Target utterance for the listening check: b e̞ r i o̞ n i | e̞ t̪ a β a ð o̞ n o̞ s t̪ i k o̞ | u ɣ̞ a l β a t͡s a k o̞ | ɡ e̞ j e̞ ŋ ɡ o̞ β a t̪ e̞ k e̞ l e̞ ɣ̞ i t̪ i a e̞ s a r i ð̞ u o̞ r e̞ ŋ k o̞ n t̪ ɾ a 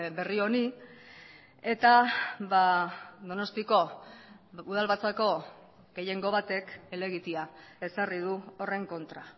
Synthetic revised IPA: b e̞ r i o̞ n i | e̞ t̪ a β a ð o̞ n o̞ s t̪ i k o̞ | u ð̞ a l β a t͡s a k o̞ | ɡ e̞ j e̞ ŋ ɡ o̞ β a t̪ e̞ k e̞ l e̞ ɣ̞ i t̪ i a e̞ s a r i ð̞ u o̞ r e̞ ŋ k o̞ n t̪ ɾ a